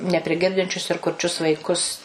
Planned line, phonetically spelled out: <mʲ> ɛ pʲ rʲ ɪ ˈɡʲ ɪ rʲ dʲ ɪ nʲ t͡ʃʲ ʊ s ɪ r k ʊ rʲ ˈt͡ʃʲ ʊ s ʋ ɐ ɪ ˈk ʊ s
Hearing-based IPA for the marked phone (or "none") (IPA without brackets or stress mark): nʲ